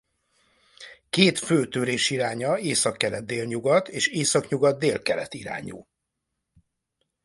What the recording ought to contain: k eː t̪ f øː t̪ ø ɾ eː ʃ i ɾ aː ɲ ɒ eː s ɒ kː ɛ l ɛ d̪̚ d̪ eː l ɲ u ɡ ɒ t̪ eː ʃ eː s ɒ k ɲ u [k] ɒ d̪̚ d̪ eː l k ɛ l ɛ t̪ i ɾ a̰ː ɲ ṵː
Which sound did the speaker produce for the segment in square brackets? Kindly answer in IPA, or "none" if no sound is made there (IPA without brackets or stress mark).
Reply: ɡ